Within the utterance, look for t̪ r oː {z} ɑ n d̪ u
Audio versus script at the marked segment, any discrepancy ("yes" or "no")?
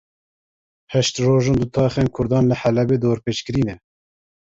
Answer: yes